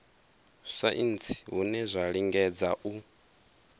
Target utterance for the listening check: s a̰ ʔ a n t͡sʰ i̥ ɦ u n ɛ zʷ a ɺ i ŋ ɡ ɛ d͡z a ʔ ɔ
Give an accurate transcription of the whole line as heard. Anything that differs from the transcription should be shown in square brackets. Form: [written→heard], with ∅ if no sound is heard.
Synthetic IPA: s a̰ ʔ [a→i] n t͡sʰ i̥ ɦ u n ɛ zʷ a ɺ i ŋ ɡ ɛ d͡z a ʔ [ɔ→u]